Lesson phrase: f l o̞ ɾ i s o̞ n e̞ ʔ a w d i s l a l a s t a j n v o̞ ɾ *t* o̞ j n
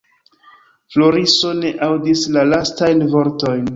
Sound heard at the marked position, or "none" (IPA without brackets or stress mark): t